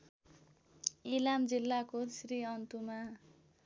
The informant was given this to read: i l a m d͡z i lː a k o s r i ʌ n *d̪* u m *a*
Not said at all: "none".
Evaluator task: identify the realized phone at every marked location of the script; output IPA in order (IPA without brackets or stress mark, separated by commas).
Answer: t̪, a